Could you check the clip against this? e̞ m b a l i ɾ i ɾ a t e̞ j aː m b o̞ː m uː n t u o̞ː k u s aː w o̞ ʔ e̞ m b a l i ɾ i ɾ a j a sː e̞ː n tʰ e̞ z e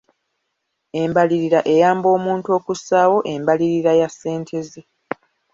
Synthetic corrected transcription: e̞ m b a l i ɾ i ɾ a ʔ e̞ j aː m b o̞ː m uː n t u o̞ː k u s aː w o̞ ʔ e̞ m b a l i ɾ i ɾ a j a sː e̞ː n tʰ e̞ z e